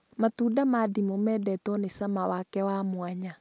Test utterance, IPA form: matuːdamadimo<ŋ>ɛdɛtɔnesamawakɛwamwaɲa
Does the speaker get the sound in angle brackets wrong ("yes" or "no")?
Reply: yes